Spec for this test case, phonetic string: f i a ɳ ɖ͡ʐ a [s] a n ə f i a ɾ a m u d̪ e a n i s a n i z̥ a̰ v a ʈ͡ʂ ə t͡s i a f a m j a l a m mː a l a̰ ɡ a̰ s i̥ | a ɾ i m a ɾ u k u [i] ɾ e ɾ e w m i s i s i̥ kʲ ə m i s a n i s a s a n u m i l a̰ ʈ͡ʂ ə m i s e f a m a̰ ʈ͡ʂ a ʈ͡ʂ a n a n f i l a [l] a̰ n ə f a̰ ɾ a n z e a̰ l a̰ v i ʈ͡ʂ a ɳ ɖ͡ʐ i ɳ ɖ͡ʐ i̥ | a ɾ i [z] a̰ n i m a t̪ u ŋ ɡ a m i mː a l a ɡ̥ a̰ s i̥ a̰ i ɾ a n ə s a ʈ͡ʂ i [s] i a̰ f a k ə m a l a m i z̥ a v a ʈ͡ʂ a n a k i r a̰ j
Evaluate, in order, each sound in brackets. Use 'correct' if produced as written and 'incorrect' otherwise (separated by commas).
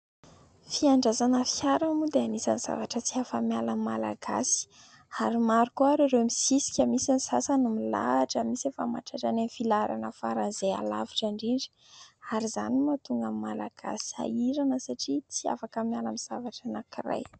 incorrect, incorrect, incorrect, correct, incorrect